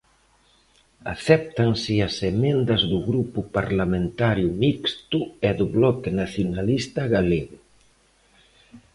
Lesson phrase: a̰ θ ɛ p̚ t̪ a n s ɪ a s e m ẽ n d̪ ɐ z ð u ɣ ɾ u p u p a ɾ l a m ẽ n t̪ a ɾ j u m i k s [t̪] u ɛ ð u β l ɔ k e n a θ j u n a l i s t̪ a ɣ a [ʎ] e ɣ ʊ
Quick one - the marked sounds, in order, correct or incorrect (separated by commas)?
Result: correct, incorrect